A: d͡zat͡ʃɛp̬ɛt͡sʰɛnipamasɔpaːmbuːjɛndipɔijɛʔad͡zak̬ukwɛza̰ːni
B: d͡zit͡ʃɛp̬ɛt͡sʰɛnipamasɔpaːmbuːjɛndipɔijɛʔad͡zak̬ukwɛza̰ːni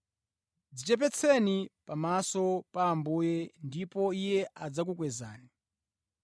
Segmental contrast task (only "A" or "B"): B